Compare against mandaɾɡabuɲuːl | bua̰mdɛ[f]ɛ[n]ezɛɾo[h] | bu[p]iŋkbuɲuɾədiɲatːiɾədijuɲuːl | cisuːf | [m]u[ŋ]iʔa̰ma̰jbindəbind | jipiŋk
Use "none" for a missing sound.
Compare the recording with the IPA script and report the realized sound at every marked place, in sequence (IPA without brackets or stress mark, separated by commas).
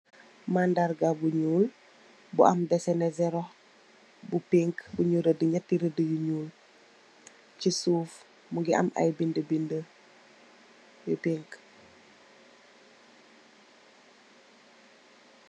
s, n, h, p, m, ɡ